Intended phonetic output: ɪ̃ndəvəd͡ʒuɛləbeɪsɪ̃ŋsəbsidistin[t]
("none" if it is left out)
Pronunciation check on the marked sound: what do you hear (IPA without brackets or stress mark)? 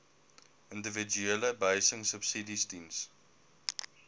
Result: s